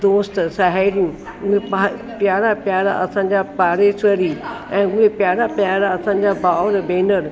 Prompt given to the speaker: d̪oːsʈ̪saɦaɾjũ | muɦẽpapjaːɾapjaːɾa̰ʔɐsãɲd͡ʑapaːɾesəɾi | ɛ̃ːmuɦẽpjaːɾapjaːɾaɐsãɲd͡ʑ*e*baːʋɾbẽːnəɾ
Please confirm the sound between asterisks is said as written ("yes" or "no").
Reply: no